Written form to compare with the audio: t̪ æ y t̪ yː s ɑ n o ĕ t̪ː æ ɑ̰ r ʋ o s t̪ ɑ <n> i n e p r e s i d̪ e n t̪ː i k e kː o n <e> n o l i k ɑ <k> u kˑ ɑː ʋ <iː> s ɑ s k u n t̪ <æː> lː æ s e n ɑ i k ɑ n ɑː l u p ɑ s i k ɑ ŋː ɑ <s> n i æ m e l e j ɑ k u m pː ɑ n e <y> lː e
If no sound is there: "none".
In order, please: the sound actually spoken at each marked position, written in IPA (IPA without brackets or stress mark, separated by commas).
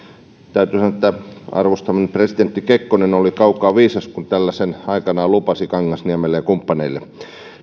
m, e, none, iː, æ, s, i